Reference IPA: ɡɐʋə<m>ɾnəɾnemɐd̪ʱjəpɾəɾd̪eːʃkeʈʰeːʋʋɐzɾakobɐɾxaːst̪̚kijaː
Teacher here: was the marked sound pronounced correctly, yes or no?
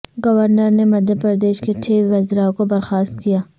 no